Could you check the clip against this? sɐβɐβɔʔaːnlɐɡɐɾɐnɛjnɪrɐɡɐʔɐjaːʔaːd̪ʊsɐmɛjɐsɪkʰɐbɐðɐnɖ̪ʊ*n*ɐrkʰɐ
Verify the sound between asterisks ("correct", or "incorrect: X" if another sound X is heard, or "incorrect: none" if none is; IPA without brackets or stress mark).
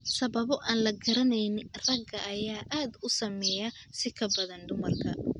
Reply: incorrect: m